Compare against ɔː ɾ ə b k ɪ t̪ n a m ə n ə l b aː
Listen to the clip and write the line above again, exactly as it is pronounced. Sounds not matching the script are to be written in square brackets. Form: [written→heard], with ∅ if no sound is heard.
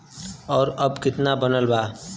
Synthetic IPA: ɔː ɾ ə b k ɪ t̪ n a [m→b] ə n ə l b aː